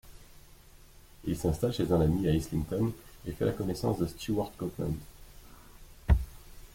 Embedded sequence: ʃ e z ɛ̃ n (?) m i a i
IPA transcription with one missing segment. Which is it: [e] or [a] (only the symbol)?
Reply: a